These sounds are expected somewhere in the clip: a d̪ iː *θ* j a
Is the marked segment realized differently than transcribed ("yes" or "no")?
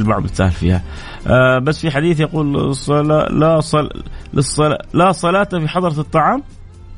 no